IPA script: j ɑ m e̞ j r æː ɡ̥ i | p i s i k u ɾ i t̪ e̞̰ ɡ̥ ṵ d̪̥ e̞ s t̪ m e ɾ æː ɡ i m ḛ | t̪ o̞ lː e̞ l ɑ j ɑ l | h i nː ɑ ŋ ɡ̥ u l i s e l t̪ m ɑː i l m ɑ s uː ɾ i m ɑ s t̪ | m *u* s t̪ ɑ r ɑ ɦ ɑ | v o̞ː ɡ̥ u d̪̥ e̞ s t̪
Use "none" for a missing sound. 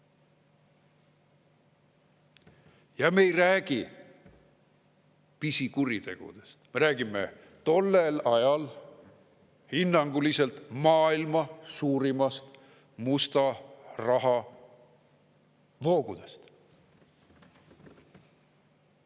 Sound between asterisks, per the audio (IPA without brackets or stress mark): u